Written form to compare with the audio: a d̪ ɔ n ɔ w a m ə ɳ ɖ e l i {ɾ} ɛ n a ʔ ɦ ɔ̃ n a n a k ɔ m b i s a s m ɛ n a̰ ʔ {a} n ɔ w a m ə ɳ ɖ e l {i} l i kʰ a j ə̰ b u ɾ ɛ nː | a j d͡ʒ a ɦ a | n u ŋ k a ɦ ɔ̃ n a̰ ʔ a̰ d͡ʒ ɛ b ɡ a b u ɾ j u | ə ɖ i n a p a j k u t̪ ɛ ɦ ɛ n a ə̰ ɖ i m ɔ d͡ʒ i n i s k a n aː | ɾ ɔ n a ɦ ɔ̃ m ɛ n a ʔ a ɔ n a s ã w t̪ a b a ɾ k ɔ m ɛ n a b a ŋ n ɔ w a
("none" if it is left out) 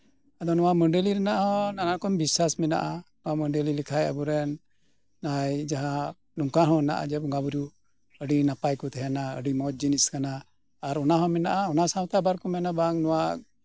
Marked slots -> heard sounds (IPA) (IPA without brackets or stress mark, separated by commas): ɾ, a, i